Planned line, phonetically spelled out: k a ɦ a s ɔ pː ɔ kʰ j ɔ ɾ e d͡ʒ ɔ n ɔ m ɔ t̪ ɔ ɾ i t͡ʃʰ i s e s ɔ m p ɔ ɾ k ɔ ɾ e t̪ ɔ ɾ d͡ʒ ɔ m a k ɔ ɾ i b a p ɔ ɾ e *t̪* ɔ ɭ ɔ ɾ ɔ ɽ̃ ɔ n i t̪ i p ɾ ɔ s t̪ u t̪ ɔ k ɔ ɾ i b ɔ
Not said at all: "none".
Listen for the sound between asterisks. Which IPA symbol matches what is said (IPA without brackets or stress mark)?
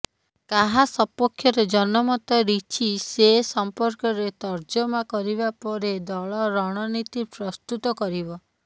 d̪